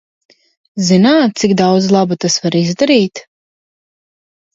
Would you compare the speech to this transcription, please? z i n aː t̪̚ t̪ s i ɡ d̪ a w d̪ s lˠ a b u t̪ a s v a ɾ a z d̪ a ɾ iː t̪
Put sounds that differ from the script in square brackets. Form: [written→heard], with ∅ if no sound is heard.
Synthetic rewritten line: z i n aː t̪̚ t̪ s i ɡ d̪ a w d̪ [s→z] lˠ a b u t̪ a s v a ɾ [a→i] z d̪ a ɾ iː t̪